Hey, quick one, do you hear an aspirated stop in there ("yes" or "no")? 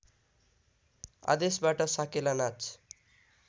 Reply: no